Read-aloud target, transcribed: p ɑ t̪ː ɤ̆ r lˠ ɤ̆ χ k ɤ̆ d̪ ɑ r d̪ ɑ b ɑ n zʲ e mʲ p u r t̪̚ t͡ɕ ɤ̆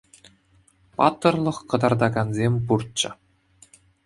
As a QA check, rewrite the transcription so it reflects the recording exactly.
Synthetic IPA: p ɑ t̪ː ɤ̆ r lˠ ɤ̆ χ k ɤ̆ d̪ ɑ r d̪ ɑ ɡ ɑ n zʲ e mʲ p u r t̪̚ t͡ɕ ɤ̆